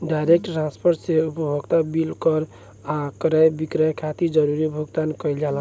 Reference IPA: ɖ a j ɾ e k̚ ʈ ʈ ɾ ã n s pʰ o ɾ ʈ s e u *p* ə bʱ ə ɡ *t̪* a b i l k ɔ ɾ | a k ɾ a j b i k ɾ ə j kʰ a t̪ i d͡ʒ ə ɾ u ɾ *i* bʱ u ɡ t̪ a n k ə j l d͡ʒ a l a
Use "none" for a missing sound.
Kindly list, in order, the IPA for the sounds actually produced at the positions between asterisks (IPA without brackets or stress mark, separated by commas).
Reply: p, t̪, i